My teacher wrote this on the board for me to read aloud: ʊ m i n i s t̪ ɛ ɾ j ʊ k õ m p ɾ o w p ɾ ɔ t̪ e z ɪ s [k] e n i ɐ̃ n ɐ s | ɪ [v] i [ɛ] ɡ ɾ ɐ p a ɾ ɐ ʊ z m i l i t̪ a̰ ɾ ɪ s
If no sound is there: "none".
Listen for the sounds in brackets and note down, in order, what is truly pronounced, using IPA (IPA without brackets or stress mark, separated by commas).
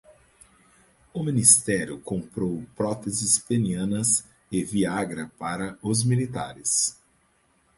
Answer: p, v, a